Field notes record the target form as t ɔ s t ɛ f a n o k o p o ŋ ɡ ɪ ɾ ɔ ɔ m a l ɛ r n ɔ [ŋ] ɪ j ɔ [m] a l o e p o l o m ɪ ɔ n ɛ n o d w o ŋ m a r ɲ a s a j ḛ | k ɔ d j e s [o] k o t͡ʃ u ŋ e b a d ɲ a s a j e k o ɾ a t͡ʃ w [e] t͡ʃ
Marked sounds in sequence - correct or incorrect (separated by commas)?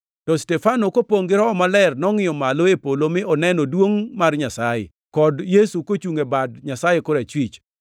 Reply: correct, correct, incorrect, incorrect